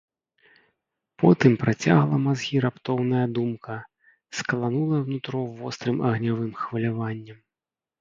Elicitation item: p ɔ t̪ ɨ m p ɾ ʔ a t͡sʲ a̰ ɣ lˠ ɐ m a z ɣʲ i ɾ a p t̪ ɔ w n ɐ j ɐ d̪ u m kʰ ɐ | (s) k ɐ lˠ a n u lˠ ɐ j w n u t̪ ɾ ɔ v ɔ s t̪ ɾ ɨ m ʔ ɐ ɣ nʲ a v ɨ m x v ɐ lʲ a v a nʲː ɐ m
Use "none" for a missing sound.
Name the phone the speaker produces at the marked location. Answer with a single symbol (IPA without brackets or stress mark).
s